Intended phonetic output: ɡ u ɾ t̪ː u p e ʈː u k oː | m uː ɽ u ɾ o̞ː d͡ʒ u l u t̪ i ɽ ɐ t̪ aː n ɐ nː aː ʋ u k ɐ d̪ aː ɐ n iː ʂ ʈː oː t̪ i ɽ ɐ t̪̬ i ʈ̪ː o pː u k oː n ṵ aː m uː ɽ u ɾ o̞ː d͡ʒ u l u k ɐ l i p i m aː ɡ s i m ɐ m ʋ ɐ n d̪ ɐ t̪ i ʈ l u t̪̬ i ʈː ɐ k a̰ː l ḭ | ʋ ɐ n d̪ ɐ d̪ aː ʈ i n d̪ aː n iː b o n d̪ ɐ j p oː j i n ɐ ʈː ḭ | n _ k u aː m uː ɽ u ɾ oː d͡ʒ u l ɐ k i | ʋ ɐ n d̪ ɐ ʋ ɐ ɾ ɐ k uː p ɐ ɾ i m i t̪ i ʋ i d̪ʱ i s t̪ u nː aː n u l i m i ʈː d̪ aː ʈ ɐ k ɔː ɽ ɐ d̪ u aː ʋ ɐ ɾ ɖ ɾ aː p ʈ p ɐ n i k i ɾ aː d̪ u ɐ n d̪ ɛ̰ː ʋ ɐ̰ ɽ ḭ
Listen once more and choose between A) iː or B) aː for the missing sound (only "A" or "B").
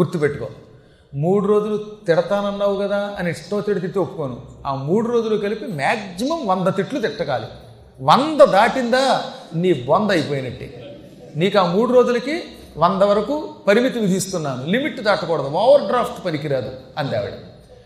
A